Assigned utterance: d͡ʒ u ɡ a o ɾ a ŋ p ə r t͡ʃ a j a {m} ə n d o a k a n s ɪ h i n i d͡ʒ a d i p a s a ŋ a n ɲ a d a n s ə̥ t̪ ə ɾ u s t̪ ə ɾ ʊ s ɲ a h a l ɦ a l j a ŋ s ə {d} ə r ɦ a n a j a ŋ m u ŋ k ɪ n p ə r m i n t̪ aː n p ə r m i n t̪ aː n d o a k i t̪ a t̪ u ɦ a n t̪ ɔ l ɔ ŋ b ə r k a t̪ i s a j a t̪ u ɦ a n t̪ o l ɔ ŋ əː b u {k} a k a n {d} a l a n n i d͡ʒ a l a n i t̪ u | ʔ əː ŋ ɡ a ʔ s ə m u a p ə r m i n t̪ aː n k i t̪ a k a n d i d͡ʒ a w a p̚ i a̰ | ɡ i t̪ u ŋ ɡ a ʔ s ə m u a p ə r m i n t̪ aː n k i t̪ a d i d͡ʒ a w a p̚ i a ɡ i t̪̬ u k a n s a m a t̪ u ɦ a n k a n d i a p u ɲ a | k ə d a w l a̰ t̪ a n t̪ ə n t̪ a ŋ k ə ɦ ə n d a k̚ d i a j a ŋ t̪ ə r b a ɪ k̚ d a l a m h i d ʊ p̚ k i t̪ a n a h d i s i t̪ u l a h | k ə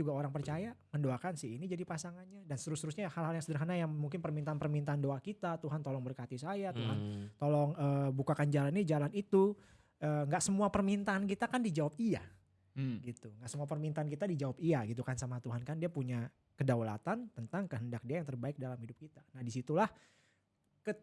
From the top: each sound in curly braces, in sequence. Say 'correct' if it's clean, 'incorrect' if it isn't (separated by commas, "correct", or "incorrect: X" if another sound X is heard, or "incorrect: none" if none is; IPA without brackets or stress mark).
correct, correct, correct, incorrect: d͡ʒ